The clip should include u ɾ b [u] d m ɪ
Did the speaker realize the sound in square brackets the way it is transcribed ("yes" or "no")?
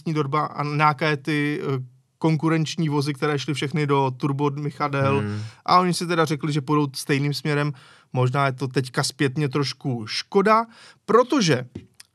no